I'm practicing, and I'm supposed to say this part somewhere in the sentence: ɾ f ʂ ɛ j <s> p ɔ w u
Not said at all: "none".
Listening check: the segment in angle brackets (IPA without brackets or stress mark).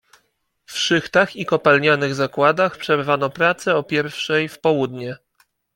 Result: f